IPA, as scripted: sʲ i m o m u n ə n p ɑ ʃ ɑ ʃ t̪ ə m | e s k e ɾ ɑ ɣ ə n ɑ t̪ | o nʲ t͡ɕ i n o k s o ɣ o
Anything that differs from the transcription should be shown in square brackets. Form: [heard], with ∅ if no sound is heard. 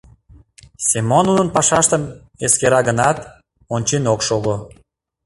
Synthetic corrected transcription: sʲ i m o [n] u n ə n p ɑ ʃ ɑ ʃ t̪ ə m | e s k e ɾ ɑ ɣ ə n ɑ t̪ | o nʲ t͡ɕ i n o k [ʃ] o ɣ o